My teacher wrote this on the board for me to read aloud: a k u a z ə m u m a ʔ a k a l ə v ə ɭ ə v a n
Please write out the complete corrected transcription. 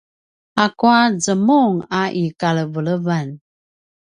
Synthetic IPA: a k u a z ə m u ŋ a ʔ i k a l ə v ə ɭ ə v a n